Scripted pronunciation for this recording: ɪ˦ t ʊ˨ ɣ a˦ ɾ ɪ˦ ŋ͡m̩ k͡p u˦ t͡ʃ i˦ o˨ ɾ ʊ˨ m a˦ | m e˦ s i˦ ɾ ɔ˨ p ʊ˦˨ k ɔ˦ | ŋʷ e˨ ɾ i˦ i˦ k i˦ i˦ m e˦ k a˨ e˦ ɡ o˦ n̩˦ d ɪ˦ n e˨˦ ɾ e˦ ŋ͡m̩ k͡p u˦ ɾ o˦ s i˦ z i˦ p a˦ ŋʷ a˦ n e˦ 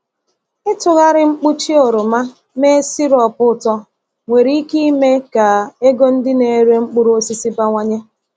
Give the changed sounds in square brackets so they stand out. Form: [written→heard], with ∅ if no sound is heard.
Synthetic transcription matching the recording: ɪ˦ t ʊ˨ ɣ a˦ ɾ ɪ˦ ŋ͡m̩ k͡p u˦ t͡ʃ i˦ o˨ ɾ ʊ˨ m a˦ | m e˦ s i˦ ɾ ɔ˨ p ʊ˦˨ [k→t] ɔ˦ | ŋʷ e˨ ɾ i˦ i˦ k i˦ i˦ m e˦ k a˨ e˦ ɡ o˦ n̩˦ d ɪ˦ n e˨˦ ɾ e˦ ŋ͡m̩ k͡p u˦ ɾ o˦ s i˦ [z→s] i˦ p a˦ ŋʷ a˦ [n→ɲ] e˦